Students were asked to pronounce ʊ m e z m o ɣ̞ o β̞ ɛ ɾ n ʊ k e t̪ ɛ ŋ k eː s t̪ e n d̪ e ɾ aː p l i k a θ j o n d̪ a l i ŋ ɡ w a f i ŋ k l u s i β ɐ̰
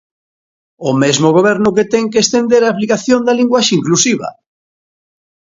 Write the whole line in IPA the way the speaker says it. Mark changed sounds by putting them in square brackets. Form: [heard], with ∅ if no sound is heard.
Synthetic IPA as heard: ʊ m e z m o ɣ̞ o β̞ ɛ ɾ n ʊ k e t̪ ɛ ŋ k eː s t̪ e n d̪ e ɾ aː p l i k a θ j o n d̪ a l i ŋ ɡ w a [ʃ] i ŋ k l u s i β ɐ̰